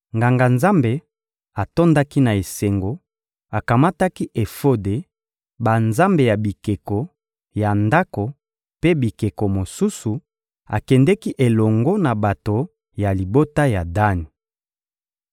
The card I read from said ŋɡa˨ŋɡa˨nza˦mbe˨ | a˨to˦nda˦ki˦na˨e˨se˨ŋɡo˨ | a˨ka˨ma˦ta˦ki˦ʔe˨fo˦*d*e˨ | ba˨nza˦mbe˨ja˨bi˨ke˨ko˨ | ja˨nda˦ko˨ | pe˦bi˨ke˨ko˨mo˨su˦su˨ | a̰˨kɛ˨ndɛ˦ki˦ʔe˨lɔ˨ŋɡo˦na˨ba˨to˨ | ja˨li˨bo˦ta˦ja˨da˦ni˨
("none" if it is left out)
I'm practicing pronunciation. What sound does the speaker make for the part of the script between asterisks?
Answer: d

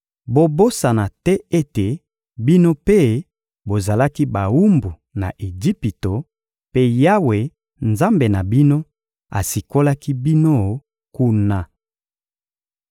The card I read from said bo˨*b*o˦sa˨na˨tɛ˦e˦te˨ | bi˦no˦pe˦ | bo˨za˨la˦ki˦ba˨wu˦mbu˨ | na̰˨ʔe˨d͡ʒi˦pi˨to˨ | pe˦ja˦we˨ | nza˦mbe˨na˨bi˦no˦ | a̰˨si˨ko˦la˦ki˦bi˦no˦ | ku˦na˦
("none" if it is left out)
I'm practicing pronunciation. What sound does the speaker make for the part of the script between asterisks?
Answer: b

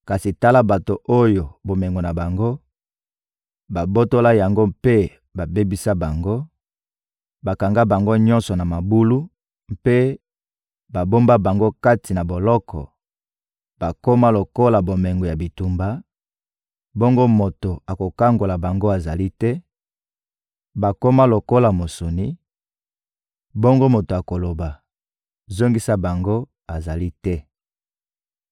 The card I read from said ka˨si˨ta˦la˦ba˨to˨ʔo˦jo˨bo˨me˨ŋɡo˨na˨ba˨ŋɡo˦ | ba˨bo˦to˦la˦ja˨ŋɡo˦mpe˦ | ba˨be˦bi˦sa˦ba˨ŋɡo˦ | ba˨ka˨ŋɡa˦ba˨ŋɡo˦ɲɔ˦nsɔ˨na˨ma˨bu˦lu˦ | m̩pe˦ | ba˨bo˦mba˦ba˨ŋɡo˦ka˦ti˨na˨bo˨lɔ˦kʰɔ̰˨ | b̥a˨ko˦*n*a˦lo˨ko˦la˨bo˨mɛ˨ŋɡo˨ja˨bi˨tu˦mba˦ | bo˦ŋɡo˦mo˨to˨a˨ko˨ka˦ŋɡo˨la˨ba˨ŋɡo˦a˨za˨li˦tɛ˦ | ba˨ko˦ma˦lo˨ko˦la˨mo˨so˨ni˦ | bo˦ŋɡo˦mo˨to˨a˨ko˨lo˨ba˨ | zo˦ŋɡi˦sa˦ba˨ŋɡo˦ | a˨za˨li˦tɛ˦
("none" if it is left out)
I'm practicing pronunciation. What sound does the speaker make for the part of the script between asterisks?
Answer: m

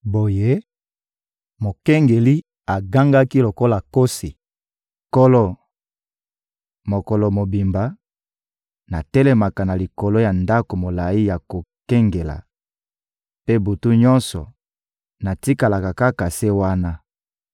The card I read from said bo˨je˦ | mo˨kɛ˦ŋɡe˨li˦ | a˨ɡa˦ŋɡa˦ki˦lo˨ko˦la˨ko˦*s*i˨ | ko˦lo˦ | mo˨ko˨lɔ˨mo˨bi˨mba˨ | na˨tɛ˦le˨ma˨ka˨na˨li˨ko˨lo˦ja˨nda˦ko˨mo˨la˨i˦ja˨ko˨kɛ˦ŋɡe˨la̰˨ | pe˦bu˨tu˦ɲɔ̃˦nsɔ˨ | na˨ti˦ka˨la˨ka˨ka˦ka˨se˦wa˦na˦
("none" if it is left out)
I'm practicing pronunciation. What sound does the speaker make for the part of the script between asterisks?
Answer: s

